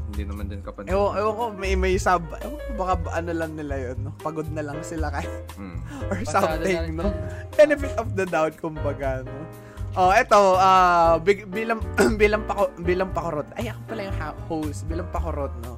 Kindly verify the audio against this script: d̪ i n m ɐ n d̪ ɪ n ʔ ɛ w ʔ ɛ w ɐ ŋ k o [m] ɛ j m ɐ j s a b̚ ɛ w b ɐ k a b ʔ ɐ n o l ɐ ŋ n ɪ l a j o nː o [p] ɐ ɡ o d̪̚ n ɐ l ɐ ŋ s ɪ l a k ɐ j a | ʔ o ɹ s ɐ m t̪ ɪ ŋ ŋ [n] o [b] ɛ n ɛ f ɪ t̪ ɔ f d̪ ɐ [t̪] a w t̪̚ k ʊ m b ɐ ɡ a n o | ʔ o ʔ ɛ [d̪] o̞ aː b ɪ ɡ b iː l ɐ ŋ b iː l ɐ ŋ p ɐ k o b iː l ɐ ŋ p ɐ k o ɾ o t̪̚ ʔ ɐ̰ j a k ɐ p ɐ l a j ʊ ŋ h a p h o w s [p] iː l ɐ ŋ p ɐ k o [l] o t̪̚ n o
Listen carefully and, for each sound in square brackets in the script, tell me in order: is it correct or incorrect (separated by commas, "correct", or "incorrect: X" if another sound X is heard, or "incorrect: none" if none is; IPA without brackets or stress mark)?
correct, correct, correct, correct, incorrect: d̪, incorrect: t̪, incorrect: b, incorrect: ɾ